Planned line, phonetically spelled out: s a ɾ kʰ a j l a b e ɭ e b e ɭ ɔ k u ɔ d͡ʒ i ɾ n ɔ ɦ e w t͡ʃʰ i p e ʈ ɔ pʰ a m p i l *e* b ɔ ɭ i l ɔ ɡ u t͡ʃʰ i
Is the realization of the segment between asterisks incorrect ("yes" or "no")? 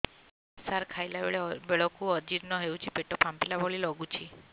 yes